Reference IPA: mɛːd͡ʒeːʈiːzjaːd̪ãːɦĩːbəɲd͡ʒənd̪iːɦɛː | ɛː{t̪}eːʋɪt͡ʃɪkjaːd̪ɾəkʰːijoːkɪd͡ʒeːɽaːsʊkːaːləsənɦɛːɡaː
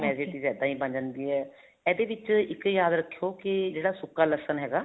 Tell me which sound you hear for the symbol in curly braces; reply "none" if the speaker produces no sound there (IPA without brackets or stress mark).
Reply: d̪